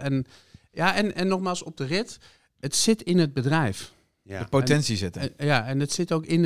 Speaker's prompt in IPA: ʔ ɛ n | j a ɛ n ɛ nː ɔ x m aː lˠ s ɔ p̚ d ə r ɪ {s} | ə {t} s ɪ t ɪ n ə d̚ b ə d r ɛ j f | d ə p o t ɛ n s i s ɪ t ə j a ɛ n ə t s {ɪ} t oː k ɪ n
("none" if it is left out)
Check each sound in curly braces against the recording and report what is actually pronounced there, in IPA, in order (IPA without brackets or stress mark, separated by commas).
t, t, ɪ